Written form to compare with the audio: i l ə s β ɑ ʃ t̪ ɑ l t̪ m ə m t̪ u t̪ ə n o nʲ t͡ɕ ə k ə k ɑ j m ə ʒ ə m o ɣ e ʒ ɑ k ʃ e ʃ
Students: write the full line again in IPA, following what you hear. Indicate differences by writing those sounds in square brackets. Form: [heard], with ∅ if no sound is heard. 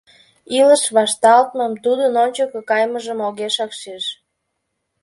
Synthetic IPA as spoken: i l ə [ʃ] β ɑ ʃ t̪ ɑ l t̪ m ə m t̪ u [d̪] ə n o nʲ t͡ɕ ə k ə k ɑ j m ə ʒ ə m o ɣ e [ʃ] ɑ k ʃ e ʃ